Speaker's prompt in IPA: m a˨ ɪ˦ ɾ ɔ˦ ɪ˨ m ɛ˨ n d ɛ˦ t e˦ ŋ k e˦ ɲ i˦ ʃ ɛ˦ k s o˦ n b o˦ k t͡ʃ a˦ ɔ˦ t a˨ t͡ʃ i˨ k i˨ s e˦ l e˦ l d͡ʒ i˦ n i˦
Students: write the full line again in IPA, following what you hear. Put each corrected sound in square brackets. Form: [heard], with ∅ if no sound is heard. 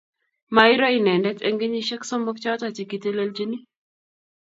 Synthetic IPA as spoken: m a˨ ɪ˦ ɾ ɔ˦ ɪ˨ [n] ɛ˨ n d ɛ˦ t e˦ ŋ [ɡ] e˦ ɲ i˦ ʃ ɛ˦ k s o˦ [m] b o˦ k t͡ʃ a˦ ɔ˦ t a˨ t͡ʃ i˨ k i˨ [t] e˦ l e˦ l d͡ʒ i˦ n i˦